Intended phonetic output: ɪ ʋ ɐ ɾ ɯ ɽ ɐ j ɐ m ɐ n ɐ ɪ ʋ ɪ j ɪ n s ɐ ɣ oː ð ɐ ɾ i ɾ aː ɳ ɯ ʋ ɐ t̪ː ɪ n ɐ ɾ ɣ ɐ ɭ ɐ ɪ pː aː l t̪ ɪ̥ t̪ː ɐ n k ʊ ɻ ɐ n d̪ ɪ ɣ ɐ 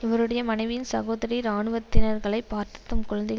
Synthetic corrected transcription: ɪ ʋ ɐ ɾ ɯ ɽ ɐ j ɐ m ɐ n ɐ ɪ ʋ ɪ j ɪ n s ɐ ɣ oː ð ɐ ɾ i ɾ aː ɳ ɯ ʋ ɐ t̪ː ɪ n ɐ ɾ ɣ ɐ ɭ ɐ ɪ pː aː ɾ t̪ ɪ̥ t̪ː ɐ m k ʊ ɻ ɐ n d̪ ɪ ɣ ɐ